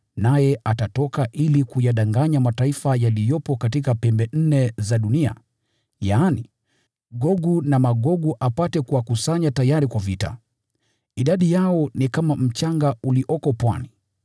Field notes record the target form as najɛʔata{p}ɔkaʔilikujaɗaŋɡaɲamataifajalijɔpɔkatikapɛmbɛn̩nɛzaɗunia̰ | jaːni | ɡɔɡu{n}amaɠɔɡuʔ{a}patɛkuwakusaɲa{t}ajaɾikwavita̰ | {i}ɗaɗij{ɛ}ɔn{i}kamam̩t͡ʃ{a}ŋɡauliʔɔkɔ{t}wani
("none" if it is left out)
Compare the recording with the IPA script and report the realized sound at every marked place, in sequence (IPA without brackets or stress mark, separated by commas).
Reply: t, n, a, t, i, a, i, a, p